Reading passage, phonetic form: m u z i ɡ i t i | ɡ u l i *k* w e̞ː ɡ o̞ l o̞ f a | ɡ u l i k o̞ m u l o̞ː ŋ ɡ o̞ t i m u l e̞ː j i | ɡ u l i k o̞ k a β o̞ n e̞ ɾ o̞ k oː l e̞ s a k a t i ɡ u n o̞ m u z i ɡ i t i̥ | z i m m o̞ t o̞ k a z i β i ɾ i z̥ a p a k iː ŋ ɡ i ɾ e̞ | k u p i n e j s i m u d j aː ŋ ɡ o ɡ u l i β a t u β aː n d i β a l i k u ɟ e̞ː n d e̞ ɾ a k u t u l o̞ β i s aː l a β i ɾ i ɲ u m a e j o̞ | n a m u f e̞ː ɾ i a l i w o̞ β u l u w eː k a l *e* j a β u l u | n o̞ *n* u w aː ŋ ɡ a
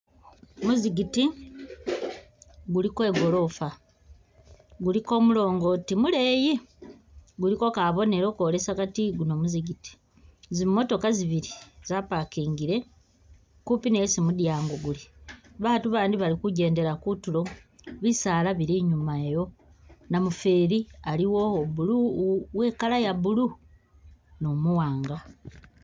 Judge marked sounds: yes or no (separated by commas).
yes, no, no